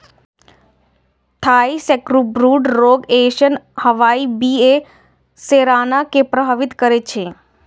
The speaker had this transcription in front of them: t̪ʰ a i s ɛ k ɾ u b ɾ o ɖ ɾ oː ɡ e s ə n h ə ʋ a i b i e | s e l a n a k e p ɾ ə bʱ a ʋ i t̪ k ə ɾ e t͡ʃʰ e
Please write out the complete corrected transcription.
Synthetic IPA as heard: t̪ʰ a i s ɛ k ɾ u b ɾ u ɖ ɾ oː ɡ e ʃ ə n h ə ʋ a i b i e | s e ɾ a n a k e p ɾ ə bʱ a ʋ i t̪ k ə ɾ e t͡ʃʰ e